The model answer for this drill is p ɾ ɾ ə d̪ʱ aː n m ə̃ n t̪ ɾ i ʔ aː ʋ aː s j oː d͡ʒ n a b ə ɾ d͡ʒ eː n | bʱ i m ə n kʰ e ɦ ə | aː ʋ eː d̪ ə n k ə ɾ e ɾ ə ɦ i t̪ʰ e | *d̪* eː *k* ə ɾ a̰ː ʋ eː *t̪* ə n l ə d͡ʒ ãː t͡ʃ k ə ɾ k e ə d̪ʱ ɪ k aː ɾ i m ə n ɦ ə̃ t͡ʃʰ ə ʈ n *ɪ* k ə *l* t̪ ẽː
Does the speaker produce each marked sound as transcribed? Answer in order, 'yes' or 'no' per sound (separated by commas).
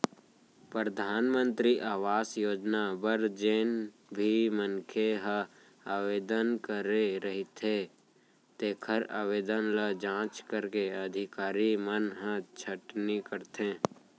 no, no, no, no, no